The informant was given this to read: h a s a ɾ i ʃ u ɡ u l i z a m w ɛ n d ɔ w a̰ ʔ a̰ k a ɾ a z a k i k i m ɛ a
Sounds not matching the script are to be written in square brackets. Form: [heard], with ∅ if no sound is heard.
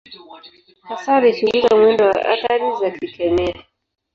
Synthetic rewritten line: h a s a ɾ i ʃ u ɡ u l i z a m w ɛ n d ɔ w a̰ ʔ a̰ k a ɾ [i] z a k i k [ɛ] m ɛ a